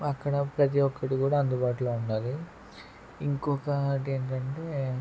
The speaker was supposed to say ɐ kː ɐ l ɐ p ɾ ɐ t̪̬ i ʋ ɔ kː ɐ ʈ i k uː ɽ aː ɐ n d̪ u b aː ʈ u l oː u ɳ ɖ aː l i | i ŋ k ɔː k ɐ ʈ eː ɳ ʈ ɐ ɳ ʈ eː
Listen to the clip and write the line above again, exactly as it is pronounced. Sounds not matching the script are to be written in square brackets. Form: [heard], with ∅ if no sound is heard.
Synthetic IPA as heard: ɐ kː ɐ [ɽ] ɐ p ɾ ɐ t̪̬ i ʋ ɔ kː ɐ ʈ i k uː ɽ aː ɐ n d̪ u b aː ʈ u l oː u ɳ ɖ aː l i | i ŋ k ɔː k ɐ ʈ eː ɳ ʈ ɐ ɳ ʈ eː